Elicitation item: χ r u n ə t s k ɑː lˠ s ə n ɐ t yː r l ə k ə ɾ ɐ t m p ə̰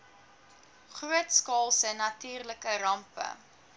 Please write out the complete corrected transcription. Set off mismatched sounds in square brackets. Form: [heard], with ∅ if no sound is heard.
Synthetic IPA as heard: χ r u [∅] ə t s k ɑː lˠ s ə n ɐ t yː r l ə k ə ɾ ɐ [∅] m p ə̰